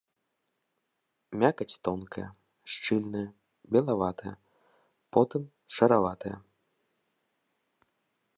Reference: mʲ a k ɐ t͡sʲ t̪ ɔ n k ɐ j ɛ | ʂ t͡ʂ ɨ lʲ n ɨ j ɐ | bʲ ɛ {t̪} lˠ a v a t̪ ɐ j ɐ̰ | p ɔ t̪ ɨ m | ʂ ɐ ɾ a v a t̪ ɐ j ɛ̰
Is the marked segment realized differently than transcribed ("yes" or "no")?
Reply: yes